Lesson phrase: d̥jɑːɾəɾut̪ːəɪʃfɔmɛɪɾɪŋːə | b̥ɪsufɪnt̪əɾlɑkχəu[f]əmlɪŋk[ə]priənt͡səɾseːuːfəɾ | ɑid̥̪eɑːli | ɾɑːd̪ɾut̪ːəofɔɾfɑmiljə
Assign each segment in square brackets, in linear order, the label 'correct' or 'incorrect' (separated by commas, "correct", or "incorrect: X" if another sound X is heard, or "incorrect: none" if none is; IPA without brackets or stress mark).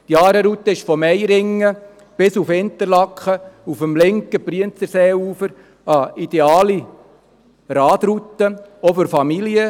correct, correct